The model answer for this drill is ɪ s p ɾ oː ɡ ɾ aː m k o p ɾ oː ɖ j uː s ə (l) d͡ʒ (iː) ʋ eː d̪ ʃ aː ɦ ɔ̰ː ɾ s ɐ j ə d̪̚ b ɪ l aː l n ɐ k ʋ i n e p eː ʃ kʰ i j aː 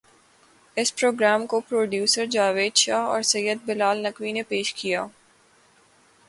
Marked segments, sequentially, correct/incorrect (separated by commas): incorrect, incorrect